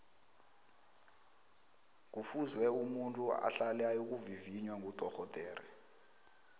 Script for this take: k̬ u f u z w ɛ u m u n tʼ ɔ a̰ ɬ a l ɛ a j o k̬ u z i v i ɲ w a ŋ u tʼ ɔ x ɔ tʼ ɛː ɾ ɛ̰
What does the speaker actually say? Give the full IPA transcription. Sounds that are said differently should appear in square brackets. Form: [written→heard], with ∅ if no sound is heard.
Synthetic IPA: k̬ u f u z w ɛ u m u n tʼ [ɔ→u] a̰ ɬ a l ɛ a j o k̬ u [z→v] i v i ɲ w a ŋ u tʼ ɔ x ɔ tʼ ɛː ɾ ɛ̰